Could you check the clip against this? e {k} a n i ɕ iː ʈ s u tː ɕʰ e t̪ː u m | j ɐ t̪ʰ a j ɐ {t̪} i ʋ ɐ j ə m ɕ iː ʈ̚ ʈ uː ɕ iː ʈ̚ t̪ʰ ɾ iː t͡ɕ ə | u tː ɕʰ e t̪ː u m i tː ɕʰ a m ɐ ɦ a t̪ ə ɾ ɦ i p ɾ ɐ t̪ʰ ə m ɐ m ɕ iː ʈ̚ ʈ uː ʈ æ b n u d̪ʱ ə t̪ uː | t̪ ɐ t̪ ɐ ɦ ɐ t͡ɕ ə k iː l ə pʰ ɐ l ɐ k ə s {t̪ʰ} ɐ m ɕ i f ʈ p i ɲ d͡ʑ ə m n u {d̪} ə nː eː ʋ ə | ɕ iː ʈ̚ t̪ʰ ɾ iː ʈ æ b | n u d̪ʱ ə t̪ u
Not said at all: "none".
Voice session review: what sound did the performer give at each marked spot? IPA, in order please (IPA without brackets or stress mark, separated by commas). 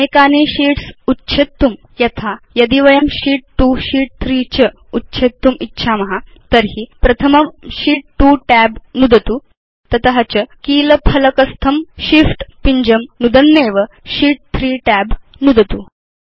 k, d̪, t̪ʰ, d̪